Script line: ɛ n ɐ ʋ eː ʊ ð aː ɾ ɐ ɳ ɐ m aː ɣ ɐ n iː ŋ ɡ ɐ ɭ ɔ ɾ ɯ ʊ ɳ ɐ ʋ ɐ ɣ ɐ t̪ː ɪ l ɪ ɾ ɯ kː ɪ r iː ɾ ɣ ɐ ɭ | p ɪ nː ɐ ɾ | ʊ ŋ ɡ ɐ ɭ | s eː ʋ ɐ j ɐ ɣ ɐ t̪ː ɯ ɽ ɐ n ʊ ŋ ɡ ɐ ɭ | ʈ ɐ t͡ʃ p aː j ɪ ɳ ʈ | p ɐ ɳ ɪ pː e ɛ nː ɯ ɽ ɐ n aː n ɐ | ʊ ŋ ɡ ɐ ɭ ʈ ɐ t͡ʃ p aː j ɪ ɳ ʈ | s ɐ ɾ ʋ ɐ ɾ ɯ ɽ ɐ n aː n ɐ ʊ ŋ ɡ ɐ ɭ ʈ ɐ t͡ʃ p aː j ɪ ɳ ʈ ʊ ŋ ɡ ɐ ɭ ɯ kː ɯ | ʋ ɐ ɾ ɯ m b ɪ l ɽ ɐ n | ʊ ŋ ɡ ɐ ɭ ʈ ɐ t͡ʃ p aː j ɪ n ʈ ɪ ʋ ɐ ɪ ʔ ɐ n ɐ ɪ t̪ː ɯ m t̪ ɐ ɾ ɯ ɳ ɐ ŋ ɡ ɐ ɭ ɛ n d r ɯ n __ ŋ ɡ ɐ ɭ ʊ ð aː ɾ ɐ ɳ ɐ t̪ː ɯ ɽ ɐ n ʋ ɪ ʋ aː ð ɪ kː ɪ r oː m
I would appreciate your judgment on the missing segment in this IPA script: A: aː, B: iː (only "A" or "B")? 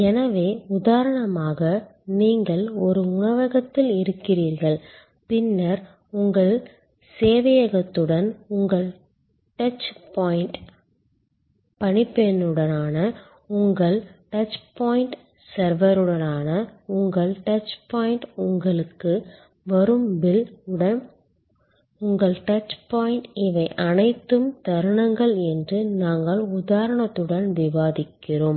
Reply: A